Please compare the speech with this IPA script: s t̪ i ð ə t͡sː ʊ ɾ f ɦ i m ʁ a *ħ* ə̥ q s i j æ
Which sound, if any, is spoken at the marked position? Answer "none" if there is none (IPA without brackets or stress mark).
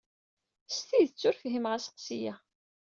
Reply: s